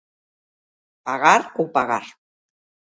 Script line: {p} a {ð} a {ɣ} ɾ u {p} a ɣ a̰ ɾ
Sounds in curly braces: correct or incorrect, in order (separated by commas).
correct, incorrect, incorrect, correct